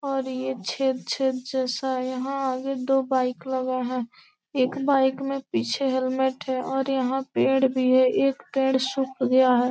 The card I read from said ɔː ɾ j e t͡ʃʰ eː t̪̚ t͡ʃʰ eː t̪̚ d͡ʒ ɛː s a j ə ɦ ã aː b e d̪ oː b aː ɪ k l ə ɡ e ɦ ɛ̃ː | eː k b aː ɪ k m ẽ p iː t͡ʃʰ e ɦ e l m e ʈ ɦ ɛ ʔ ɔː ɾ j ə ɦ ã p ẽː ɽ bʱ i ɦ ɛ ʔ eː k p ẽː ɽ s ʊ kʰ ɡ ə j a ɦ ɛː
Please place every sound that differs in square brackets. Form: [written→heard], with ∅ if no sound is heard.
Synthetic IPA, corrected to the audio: ɔː ɾ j e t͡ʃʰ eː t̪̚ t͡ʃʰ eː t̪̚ d͡ʒ ɛː s a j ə ɦ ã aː [b→ɡ] e d̪ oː b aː ɪ k l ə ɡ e ɦ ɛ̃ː | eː k b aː ɪ k m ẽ p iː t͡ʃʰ e ɦ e l m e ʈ ɦ ɛ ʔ ɔː ɾ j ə ɦ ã p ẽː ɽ bʱ i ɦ ɛ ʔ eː k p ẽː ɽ s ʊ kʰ ɡ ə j a ɦ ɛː